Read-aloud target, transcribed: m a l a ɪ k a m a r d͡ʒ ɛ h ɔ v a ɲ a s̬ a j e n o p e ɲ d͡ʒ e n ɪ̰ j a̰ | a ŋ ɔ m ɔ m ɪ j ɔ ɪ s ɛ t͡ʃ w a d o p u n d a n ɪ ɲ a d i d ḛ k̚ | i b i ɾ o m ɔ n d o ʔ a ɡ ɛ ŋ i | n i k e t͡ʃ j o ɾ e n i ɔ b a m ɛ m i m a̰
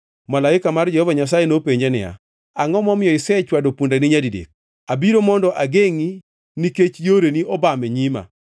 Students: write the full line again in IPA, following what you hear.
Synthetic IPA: m a l a ɪ k a m a r d͡ʒ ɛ h ɔ v a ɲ a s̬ a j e n o p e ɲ d͡ʒ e n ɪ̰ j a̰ | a ŋ ɔ m ɔ m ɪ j ɔ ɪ s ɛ t͡ʃ w a d o p u n d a n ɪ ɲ a d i d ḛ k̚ | a b i ɾ o m ɔ n d ɔ ʔ a ɡ e ŋ i | n i k e t͡ʃ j o ɾ e n i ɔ b a m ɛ ɲ i m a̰